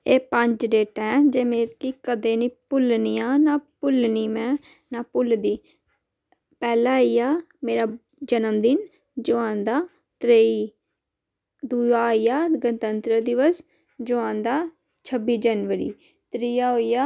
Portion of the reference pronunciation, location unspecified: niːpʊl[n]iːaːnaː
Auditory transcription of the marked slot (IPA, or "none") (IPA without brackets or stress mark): n